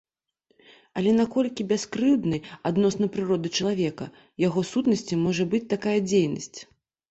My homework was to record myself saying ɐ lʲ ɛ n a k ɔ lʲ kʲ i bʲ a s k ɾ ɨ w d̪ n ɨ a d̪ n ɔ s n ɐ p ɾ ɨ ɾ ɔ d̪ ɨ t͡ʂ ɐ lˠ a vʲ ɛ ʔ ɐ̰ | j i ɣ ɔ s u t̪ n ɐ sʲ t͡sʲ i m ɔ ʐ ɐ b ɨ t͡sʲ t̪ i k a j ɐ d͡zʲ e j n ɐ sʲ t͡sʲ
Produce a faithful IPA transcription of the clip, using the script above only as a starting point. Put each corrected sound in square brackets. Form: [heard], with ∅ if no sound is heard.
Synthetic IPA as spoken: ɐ lʲ ɛ n a k ɔ lʲ kʲ i bʲ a s k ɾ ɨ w d̪ n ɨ a d̪ n ɔ s n ɐ p ɾ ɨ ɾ ɔ d̪ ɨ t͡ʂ ɐ lˠ a vʲ ɛ [k] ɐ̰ | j [a] ɣ ɔ s u t̪ n ɐ sʲ t͡sʲ i m ɔ ʐ ɐ b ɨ t͡sʲ t̪ [a] k a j ɐ d͡zʲ e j n ɐ sʲ t͡sʲ